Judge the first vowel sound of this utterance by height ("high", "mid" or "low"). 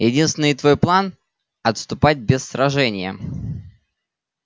high